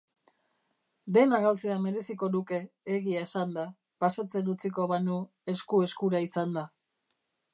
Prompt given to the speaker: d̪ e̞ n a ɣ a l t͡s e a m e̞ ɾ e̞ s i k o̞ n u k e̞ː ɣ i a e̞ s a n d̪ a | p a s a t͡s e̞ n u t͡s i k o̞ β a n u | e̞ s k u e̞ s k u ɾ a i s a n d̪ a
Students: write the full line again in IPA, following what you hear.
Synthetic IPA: d̪ e̞ n a ɣ a l t͡s e a m e̞ ɾ e̞ s i k o̞ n u k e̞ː ɣ i a e̞ s a n d̪ a | p a s a t͡s e̞ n u t͡s i k o̞ β a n u | e̞ s k u e̞ s k u ɾ a i s a n d̪ a